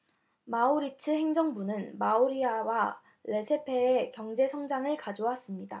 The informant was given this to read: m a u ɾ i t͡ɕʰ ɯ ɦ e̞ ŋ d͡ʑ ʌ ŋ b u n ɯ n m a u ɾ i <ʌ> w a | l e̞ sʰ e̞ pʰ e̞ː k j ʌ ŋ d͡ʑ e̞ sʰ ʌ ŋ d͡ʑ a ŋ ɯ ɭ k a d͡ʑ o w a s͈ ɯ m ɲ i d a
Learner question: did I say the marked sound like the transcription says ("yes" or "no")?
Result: no